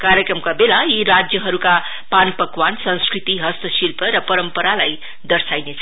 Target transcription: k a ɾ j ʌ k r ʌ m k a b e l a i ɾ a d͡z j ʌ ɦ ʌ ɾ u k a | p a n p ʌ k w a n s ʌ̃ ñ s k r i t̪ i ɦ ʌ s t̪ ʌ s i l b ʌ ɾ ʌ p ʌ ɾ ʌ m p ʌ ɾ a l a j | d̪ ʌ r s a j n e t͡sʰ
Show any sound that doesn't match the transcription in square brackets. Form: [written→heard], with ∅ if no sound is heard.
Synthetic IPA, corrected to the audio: k a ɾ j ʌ k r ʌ m k a b e l a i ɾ a d͡z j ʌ ɦ ʌ ɾ u k a | p a n p ʌ k w a n s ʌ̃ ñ s k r i t̪ i ɦ ʌ s t̪ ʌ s i l [b→p] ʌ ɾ ʌ p ʌ ɾ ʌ m p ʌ ɾ a l a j | d̪ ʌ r s a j n e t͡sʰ

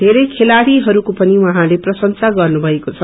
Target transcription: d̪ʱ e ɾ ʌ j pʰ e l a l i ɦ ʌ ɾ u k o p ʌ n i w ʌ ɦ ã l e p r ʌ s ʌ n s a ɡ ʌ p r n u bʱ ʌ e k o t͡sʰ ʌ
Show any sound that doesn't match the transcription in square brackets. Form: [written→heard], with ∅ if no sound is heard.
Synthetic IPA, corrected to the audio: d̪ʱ e ɾ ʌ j [pʰ→kʰ] e l a [l→ɽ] i ɦ ʌ ɾ u k o p ʌ n i w ʌ ɦ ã l e p r ʌ s ʌ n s a ɡ ʌ [p→∅] r n u bʱ ʌ e k o t͡sʰ ʌ

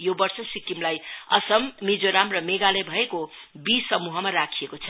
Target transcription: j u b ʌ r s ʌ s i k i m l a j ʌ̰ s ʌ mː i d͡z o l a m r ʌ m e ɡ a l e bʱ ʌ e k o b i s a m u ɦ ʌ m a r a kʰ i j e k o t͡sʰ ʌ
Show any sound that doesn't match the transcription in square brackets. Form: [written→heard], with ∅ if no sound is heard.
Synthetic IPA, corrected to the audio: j [u→o] b ʌ r s ʌ s i k i m l a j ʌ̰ s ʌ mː i d͡z o [l→ɾ] a m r ʌ m e ɡ a l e bʱ ʌ e k o b i s [a→ʌ] m u ɦ ʌ m a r a kʰ i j e k o t͡sʰ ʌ

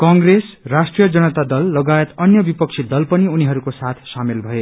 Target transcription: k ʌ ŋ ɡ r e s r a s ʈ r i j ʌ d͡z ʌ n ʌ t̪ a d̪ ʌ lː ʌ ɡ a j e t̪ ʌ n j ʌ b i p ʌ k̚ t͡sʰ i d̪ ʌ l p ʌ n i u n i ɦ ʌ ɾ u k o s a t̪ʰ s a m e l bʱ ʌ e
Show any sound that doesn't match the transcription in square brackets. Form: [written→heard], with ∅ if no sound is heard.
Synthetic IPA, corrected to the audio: k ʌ ŋ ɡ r e s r a s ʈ r i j ʌ d͡z ʌ n ʌ t̪ a d̪ ʌ lː ʌ ɡ a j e t̪ ʌ n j ʌ b i p ʌ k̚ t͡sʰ i d̪ ʌ l p ʌ n i u n i ɦ ʌ ɾ u k o s a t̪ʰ s a m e l bʱ ʌ e

